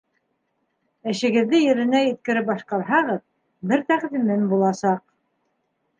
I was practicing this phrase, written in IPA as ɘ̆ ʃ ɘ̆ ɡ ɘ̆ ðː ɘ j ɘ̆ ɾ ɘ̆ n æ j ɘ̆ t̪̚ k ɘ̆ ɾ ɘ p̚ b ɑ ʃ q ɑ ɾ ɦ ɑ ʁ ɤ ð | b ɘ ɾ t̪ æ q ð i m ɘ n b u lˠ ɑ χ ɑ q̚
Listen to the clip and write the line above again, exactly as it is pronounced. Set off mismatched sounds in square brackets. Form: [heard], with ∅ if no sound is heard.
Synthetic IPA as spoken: ɘ̆ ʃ ɘ̆ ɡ ɘ̆ ðː ɘ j ɘ̆ ɾ ɘ̆ n æ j ɘ̆ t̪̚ k ɘ̆ ɾ ɘ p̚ b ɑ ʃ q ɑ ɾ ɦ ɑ ʁ ɤ ð | b ɘ ɾ t̪ æ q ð i m ɘ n b u lˠ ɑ [s] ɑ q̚